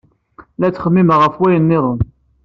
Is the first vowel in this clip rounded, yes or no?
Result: no